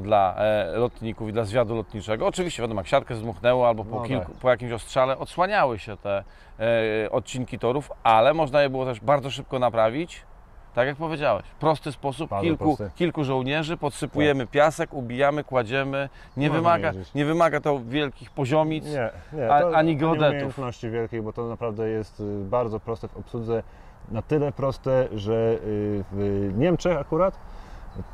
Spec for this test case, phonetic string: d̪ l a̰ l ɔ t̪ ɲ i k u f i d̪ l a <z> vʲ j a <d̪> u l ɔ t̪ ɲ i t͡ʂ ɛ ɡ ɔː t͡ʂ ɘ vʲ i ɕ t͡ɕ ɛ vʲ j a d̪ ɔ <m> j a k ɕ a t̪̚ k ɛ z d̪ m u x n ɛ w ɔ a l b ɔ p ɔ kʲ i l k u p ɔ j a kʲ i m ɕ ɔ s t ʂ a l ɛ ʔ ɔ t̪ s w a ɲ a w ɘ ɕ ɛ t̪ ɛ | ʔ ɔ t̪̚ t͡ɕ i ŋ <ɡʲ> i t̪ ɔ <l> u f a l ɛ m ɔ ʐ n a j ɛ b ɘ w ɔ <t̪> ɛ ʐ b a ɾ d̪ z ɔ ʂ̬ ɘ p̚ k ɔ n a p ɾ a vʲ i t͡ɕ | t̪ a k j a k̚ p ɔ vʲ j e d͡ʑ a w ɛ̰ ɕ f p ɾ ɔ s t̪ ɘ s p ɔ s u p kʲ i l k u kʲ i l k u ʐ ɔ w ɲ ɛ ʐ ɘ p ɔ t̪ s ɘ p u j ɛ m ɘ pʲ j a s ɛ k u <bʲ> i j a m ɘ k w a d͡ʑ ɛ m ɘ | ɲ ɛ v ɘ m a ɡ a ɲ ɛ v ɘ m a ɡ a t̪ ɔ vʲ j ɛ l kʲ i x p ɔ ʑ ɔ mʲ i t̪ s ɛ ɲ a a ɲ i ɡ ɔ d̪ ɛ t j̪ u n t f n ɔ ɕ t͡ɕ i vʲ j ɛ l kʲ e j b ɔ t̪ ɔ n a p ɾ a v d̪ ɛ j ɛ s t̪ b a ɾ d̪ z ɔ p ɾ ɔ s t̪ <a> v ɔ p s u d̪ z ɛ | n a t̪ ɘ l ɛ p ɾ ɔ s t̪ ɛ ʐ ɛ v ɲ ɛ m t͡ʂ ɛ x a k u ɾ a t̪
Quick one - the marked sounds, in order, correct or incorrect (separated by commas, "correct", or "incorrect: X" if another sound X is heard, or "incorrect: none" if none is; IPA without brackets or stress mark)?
correct, correct, correct, incorrect: kʲ, incorrect: ɾ, correct, correct, incorrect: ɛ